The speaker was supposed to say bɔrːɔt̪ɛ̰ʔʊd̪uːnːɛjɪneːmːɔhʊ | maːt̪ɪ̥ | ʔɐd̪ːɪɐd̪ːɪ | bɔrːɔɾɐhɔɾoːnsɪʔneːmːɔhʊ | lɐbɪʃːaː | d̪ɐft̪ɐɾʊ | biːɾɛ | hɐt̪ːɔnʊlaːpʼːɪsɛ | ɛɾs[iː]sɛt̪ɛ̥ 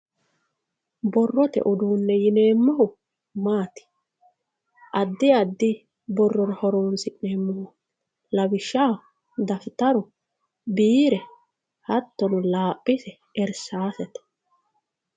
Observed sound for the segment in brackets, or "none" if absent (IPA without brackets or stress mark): aː